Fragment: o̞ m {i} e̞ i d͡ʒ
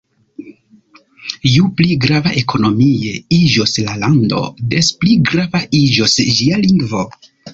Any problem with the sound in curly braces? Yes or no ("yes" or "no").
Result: no